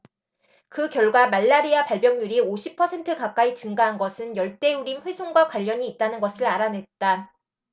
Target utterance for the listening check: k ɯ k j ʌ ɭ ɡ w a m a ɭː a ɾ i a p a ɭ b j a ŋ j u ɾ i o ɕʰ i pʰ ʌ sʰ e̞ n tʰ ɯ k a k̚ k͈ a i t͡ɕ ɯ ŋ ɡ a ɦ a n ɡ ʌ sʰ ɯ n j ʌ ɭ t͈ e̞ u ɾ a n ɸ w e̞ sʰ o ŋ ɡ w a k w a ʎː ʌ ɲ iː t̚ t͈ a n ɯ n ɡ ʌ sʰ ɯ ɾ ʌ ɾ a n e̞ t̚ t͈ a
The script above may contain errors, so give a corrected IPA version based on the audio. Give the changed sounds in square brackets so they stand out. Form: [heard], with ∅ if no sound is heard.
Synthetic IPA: k ɯ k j ʌ ɭ ɡ w a m a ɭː a ɾ i a p a ɭ b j [ʌ] ŋ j u ɾ i o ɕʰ i pʰ ʌ sʰ e̞ n tʰ ɯ k a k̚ k͈ a i t͡ɕ ɯ ŋ ɡ a ɦ a n ɡ ʌ sʰ ɯ n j ʌ ɭ t͈ e̞ u ɾ [i] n ɸ w e̞ sʰ o ŋ ɡ w a k w a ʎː ʌ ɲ iː t̚ t͈ a n ɯ n ɡ ʌ sʰ ɯ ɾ [a] ɾ a n e̞ t̚ t͈ a